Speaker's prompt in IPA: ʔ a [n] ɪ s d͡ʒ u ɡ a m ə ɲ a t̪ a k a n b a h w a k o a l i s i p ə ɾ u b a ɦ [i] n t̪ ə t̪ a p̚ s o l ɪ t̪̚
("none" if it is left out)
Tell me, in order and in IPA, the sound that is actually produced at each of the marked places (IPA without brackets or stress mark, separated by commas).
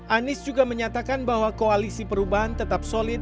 n, a